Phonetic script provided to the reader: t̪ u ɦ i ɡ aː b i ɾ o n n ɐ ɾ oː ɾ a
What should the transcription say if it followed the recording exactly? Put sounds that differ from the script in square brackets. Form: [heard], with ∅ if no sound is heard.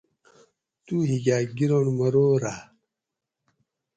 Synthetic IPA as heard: t̪ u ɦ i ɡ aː [ɡ] i ɾ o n [m] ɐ ɾ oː ɾ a

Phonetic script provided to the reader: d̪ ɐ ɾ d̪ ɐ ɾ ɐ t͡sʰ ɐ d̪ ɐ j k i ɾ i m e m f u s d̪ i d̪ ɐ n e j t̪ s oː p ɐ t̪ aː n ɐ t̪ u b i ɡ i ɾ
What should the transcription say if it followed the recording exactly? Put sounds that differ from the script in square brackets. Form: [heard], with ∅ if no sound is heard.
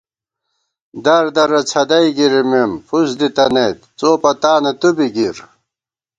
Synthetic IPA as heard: d̪ ɐ ɾ d̪ ɐ ɾ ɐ t͡sʰ ɐ d̪ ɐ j [ɡ] i ɾ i m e m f u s d̪ i [t̪] ɐ n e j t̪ [t͡s] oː p ɐ t̪ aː n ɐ t̪ u b i ɡ i ɾ

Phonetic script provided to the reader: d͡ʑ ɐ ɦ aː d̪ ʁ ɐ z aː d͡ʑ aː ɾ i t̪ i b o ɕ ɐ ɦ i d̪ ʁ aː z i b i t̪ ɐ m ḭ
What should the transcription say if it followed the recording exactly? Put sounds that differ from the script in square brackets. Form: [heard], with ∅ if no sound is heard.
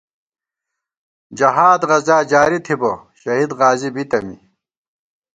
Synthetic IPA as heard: d͡ʑ ɐ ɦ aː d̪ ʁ ɐ z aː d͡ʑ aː ɾ i [t̪ʰ] i b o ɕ ɐ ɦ i d̪ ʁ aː z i b i t̪ ɐ m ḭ

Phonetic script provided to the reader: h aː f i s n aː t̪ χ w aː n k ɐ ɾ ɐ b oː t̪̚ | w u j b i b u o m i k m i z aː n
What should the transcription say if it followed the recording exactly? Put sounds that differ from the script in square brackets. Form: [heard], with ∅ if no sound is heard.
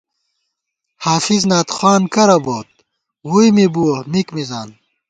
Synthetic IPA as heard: h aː f i [z] n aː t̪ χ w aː n k ɐ ɾ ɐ b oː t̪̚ | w u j [m] i b u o m i k m i z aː n

